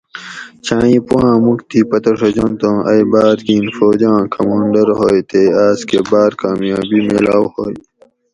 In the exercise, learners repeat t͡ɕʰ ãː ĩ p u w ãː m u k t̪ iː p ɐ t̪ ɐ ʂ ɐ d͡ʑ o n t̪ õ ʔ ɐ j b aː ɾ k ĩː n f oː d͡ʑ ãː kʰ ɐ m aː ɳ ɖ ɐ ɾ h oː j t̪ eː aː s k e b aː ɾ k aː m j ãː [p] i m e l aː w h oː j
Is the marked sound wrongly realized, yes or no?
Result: yes